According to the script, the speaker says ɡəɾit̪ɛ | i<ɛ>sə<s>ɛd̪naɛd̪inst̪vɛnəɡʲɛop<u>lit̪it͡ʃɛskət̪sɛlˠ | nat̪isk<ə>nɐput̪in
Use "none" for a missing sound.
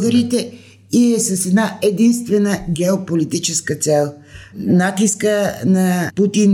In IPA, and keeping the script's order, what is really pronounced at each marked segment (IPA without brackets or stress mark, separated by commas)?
ɛ, s, o, ə